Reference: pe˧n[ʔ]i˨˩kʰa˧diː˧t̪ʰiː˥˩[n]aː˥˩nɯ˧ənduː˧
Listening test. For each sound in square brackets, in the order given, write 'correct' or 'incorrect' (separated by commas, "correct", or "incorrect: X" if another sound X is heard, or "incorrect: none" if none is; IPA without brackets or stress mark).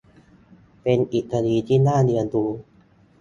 correct, correct